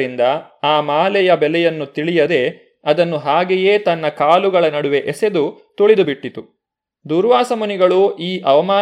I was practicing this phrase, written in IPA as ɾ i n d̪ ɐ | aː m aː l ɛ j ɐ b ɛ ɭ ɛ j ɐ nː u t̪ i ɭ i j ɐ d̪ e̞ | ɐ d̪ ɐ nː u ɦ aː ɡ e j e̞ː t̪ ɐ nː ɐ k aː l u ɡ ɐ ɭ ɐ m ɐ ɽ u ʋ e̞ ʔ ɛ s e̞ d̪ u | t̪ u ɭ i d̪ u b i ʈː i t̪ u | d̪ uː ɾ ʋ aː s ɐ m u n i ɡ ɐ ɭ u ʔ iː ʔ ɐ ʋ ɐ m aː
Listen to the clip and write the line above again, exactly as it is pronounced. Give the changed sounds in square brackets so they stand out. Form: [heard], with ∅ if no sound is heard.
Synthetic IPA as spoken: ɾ i n d̪ ɐ | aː m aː l ɛ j ɐ b ɛ [l] ɛ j ɐ nː u t̪ i ɭ i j ɐ d̪ e̞ | ɐ d̪ ɐ nː u ɦ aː ɡ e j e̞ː t̪ ɐ nː ɐ k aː l u ɡ ɐ ɭ ɐ [n] ɐ ɽ u ʋ e̞ ʔ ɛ s e̞ d̪ u | t̪ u ɭ i d̪ u b i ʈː i t̪ u | d̪ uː ɾ ʋ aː s ɐ m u n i ɡ ɐ ɭ u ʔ iː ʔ ɐ ʋ ɐ m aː